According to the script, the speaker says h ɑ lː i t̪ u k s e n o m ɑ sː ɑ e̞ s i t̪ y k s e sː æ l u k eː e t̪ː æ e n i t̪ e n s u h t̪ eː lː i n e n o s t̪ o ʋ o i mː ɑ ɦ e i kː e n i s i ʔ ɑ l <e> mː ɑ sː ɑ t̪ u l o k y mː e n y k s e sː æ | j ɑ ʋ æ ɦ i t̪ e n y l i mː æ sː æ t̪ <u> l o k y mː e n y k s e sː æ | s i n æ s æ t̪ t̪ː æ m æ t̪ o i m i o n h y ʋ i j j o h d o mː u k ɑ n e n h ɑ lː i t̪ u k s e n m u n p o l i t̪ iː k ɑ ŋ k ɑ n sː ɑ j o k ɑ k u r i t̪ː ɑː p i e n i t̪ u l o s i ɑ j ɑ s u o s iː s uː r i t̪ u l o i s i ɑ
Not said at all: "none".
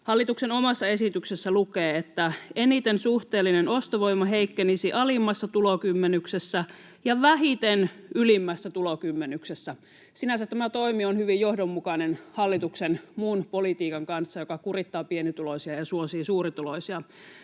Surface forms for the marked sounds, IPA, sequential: i, u

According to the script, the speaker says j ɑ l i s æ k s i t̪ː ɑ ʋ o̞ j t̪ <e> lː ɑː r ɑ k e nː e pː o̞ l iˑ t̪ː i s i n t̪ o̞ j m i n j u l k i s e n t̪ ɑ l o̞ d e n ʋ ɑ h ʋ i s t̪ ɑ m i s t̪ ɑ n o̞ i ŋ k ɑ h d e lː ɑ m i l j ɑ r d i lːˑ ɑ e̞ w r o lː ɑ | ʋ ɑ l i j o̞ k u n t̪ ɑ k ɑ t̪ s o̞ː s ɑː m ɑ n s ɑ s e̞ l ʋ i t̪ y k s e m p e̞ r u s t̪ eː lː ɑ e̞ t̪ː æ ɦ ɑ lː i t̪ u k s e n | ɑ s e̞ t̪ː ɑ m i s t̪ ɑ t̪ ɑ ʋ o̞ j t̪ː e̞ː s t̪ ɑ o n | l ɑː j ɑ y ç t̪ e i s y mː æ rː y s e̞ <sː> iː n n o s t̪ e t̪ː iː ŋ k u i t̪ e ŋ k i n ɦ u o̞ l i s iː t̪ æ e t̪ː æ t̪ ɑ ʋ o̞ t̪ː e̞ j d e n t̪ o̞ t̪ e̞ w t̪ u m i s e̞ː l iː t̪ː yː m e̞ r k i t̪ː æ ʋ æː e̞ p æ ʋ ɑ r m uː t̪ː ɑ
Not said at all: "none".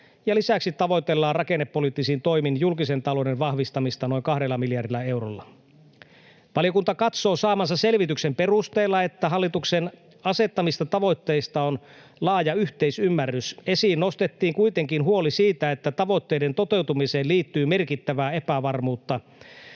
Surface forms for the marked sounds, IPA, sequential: e, s

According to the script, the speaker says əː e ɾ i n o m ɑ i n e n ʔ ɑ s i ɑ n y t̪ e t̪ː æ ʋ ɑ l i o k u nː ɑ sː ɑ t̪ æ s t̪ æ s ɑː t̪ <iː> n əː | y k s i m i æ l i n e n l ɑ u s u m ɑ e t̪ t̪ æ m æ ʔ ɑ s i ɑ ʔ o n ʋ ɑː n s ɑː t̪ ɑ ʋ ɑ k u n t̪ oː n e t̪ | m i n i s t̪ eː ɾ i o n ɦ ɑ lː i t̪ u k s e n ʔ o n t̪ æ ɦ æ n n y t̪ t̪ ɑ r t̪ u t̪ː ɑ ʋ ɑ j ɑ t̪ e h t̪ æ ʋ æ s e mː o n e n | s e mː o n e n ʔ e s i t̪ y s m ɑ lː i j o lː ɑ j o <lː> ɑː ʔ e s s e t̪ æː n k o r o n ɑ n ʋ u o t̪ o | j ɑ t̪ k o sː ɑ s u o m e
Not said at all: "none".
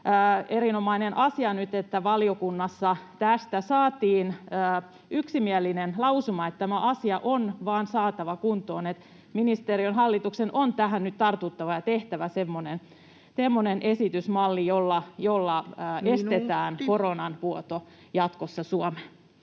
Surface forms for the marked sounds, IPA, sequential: iː, lː

